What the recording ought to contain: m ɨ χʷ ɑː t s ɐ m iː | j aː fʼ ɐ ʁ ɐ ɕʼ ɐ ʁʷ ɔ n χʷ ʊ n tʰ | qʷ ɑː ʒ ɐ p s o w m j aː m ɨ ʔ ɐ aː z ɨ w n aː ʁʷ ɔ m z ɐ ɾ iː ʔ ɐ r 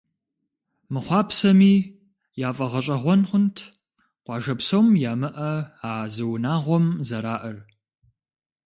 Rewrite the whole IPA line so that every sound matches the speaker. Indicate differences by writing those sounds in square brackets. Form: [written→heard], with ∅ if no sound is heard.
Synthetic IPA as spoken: m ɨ χʷ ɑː [t→p] s ɐ m iː | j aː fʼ ɐ ʁ ɐ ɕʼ ɐ ʁʷ ɔ n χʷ ʊ n tʰ | qʷ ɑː ʒ ɐ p s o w m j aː m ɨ ʔ ɐ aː z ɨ w n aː ʁʷ ɔ m z ɐ ɾ [iː→aː] ʔ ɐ r